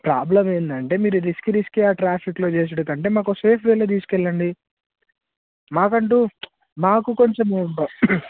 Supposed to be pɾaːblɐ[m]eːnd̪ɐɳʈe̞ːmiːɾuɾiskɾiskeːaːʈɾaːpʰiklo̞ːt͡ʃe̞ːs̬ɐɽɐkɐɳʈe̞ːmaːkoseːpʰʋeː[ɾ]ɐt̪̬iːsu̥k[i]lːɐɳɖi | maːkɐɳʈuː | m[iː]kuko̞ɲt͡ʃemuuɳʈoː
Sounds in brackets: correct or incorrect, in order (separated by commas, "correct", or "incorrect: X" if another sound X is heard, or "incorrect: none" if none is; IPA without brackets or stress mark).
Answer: correct, incorrect: l, incorrect: ɛ, incorrect: aː